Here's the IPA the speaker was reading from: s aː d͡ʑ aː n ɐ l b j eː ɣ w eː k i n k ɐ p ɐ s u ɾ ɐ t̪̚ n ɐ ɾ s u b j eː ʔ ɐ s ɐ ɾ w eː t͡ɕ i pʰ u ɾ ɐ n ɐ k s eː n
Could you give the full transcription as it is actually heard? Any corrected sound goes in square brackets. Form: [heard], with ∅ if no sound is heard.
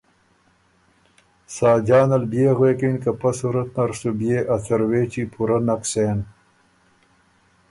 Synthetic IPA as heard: s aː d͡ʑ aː n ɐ l b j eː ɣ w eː k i n k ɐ p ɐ s u ɾ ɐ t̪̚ n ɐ ɾ s u b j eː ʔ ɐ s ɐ ɾ w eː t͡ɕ i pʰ u ɾ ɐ n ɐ k s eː n

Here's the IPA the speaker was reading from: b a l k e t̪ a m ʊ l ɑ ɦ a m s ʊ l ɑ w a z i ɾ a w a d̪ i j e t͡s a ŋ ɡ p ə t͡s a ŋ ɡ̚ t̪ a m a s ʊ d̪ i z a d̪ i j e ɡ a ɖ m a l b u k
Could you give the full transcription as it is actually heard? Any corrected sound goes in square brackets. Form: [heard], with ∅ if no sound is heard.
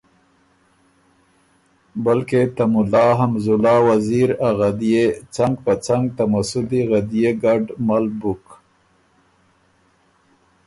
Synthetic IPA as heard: b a l k e t̪ a m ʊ l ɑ ɦ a m [z] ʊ l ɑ w a z i ɾ a [ɣ] a d̪ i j e t͡s a ŋ ɡ p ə t͡s a ŋ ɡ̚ t̪ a m a s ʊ d̪ i [ɣ] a d̪ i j e ɡ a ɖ m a l b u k

